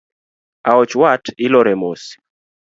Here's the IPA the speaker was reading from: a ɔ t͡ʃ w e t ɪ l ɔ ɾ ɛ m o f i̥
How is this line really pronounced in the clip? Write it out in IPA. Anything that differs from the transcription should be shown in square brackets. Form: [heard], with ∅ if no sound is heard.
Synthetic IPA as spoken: a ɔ t͡ʃ w [a] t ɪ l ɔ ɾ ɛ m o [s] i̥